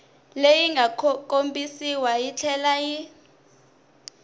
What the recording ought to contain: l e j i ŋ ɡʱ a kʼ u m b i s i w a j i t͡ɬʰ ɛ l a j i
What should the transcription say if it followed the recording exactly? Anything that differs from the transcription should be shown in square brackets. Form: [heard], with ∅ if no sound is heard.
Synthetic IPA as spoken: l e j i ŋ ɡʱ a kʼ [o] m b i s i w a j i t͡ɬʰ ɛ l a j i